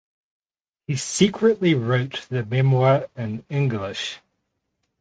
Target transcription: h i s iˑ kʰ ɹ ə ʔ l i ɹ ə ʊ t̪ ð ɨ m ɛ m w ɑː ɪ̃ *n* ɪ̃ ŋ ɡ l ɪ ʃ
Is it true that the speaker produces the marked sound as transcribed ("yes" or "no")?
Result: yes